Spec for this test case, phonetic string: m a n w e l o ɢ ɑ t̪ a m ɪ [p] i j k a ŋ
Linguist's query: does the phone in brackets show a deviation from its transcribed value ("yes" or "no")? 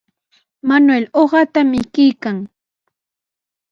yes